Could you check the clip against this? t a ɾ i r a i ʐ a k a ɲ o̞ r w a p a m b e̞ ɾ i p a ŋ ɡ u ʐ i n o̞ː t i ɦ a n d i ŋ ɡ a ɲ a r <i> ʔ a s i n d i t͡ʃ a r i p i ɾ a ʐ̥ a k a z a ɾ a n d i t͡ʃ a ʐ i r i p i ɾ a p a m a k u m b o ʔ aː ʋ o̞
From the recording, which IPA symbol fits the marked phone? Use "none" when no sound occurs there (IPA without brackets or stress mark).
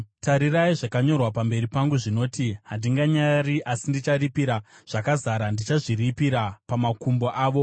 i